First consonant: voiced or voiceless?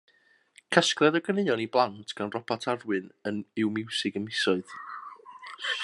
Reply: voiceless